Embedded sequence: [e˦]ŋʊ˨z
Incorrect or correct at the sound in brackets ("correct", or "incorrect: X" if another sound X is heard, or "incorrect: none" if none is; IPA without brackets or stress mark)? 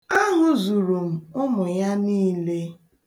incorrect: a˦